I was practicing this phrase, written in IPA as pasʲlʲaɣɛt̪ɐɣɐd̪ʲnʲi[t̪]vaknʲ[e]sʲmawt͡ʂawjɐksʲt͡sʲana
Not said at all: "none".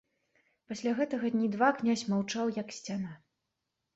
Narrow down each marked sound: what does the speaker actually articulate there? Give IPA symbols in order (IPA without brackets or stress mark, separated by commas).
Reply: d̪, a